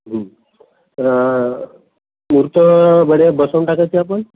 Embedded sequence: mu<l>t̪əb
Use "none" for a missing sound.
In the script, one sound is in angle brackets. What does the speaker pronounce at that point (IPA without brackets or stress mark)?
ɾ